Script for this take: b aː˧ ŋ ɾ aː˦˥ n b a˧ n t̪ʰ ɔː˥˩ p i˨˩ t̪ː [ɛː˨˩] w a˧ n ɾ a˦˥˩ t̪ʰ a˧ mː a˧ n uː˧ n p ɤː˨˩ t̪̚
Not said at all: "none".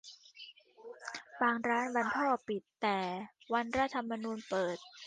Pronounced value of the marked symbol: ɛː˨˩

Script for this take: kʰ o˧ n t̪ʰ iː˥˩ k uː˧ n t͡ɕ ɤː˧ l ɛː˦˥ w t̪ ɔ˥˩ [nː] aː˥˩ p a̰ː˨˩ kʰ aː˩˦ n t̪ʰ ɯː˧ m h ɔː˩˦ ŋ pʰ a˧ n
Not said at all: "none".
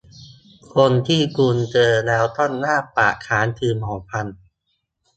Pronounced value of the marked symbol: nː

